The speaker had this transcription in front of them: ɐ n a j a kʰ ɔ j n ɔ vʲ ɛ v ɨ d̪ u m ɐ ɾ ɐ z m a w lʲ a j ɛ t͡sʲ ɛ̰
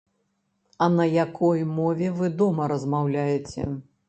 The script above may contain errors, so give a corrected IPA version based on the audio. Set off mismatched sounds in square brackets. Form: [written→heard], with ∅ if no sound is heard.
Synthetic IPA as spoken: ɐ n [a→ɐ] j a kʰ ɔ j [n→m] ɔ vʲ ɛ v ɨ d̪ [u→ɔ] m ɐ ɾ ɐ z m a w lʲ a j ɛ t͡sʲ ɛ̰